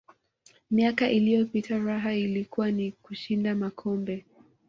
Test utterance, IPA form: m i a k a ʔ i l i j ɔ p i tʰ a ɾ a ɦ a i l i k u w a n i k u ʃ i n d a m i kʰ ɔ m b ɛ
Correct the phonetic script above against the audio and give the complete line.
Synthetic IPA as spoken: m i a k a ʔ i l i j ɔ p i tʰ a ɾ a ɦ a i l i k u w a n i k u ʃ i n d a m a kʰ ɔ m b ɛ